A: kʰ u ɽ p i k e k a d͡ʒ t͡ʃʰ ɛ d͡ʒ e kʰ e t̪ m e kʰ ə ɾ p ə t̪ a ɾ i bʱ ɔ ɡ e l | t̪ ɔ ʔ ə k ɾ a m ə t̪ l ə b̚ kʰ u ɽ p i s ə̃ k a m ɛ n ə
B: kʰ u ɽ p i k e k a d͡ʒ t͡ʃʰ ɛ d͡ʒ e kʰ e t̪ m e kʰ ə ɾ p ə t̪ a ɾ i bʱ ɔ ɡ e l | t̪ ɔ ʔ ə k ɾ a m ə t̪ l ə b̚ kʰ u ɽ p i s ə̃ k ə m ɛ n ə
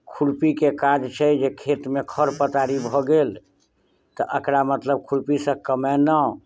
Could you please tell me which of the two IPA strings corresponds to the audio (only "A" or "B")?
B